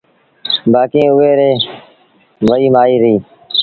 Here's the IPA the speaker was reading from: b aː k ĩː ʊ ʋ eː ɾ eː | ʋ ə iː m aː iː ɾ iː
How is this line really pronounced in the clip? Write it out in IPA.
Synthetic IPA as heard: b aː k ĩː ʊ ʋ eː ɾ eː | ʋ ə iː m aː iː ɾ iː